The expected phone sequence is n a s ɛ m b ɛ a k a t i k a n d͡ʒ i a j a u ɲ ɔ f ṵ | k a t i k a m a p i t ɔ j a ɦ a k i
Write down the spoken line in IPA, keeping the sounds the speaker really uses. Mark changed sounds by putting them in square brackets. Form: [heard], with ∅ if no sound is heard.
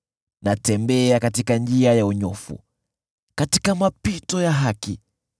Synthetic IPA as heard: n a [t] ɛ m b ɛ a k a t i k a n d͡ʒ i a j a u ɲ ɔ f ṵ | k a t i k a m a p i t ɔ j a ɦ a k i